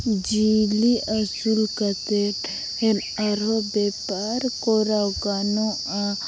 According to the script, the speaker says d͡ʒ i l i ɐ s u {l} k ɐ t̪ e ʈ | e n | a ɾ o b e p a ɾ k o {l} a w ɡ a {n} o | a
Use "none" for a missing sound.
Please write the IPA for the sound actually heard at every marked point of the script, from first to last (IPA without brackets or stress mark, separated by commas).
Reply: l, ɾ, n